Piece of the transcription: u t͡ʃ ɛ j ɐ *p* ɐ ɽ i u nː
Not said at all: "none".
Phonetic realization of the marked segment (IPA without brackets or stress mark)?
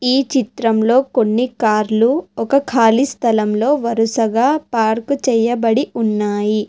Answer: b